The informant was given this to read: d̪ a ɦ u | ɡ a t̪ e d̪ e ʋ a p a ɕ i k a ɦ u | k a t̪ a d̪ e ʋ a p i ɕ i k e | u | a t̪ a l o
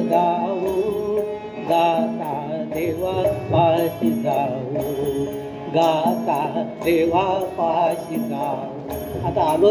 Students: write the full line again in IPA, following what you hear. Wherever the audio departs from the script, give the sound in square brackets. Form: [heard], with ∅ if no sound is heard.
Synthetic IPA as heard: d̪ a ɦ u | ɡ a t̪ [a] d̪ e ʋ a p a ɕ i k a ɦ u | [ɡ] a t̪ a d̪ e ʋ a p [a] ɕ i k [a] | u | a t̪ a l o